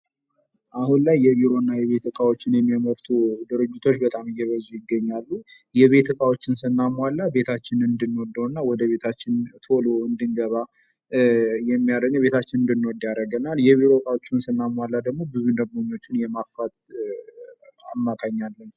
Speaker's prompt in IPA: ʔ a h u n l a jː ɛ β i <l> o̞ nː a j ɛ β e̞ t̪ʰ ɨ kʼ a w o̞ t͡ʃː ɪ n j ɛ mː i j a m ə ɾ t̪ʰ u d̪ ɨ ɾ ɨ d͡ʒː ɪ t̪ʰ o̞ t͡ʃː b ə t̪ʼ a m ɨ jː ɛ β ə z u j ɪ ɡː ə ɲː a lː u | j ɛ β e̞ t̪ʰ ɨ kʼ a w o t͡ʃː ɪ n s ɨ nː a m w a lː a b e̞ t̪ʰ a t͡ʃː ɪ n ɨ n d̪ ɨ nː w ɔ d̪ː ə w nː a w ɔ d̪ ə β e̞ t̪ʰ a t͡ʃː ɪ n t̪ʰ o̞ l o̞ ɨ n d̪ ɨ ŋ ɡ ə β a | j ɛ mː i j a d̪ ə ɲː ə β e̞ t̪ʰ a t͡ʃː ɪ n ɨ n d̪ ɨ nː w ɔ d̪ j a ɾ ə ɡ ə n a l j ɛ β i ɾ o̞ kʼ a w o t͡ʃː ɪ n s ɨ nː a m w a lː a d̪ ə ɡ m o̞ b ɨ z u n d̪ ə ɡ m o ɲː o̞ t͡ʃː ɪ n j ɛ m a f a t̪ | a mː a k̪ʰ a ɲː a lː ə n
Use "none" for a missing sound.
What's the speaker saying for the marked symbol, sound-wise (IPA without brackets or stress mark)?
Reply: ɾ